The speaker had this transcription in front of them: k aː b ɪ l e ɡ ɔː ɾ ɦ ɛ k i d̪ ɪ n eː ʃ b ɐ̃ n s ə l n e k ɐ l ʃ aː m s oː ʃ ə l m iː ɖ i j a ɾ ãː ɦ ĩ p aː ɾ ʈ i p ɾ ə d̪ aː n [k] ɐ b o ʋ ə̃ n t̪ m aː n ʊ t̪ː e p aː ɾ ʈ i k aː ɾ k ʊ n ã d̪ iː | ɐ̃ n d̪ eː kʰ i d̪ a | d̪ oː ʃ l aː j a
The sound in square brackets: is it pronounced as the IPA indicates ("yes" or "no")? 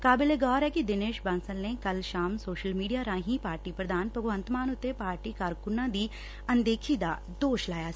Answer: no